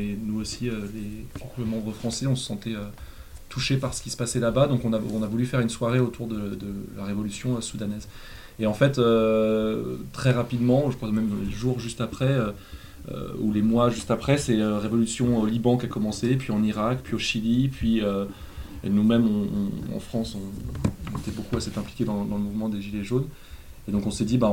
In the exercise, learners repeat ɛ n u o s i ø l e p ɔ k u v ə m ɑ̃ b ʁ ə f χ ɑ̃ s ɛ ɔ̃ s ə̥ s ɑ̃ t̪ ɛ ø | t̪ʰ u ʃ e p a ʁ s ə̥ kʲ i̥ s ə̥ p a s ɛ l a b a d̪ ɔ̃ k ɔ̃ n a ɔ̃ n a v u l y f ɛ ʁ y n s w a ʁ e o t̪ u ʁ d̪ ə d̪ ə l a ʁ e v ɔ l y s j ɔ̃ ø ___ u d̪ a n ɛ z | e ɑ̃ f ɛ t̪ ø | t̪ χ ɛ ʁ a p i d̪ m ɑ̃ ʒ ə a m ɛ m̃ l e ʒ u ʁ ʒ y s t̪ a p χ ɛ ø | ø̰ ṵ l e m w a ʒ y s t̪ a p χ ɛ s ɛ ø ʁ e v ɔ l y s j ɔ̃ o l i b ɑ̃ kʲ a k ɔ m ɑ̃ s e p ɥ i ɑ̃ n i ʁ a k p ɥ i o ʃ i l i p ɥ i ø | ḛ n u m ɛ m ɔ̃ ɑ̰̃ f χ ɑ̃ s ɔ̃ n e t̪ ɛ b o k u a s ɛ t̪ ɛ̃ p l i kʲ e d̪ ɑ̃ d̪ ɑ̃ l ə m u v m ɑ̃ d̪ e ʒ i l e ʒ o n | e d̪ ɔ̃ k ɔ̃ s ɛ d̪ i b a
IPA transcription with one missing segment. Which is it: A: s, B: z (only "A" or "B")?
A